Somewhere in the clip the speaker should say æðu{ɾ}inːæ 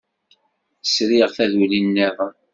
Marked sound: incorrect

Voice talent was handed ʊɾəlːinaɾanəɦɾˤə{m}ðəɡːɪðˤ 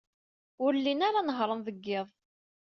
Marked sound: incorrect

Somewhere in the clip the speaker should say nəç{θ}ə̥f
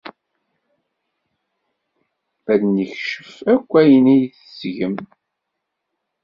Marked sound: incorrect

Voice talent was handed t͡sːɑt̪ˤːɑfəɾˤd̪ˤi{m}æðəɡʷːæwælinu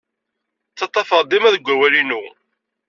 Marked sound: correct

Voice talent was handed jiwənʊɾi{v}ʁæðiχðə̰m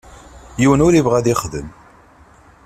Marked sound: correct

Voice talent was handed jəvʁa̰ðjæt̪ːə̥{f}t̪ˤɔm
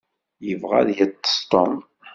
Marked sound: incorrect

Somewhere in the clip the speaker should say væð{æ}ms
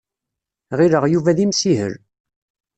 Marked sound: incorrect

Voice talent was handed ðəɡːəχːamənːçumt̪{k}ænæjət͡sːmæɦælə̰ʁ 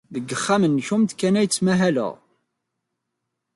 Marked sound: correct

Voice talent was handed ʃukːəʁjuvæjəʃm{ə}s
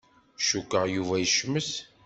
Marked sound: correct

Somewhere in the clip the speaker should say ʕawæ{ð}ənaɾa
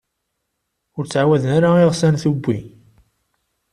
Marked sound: correct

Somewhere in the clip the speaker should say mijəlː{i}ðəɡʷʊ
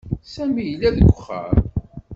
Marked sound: incorrect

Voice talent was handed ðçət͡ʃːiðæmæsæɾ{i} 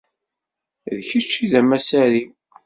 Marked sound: correct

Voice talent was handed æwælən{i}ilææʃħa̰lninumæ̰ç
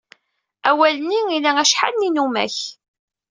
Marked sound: correct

